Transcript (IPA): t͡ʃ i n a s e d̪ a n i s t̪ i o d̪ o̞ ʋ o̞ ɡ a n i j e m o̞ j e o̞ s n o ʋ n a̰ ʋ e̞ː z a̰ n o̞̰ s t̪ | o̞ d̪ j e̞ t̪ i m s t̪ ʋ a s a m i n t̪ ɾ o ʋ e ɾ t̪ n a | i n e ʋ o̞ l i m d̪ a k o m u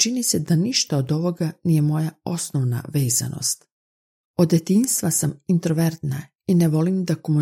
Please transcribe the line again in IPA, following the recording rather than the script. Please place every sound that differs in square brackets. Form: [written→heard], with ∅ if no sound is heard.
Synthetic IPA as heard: t͡ʃ i n [a→i] s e d̪ a n i [s→ʃ] t̪ [i→a] o d̪ o̞ ʋ o̞ ɡ a n i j e m o̞ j [e→a] o̞ s n o ʋ n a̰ ʋ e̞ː z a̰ n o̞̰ s t̪ | o̞ d̪ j e̞ t̪ i [m→n] s t̪ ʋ a s a m i n t̪ ɾ o ʋ e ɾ t̪ n a | i n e ʋ o̞ l i m d̪ a k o m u